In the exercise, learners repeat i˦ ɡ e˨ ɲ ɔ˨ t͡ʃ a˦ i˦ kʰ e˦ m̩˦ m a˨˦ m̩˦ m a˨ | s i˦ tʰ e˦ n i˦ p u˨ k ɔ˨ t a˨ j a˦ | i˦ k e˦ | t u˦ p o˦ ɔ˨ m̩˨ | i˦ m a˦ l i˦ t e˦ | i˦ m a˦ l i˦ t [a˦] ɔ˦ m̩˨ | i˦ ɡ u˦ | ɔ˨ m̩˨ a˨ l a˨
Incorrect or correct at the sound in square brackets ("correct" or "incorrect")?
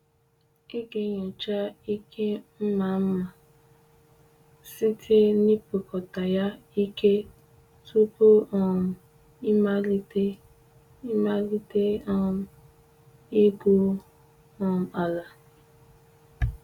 incorrect